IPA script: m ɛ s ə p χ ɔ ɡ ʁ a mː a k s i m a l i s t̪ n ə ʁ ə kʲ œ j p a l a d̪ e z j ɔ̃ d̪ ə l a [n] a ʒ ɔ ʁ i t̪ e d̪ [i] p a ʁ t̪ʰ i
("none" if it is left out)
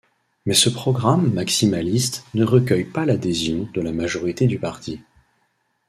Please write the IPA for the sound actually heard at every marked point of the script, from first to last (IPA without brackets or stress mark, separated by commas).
m, y